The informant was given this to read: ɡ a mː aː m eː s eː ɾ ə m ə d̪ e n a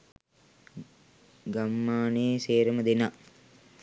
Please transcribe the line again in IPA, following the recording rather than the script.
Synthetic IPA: ɡ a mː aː n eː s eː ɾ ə m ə d̪ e n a